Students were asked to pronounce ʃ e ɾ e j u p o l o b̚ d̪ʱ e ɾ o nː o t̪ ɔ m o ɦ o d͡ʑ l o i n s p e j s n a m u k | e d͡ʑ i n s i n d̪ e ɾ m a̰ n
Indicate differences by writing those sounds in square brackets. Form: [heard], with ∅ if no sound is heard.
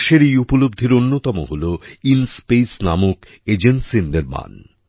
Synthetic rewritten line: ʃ e ɾ e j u p o l o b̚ d̪ʱ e ɾ o nː o t̪ ɔ m o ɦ o [∅] l o i n s p e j s n a m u k | e d͡ʑ [e] n s i n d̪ e ɾ m a̰ n